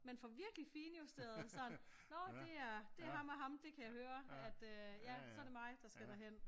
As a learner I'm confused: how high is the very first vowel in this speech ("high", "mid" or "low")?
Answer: mid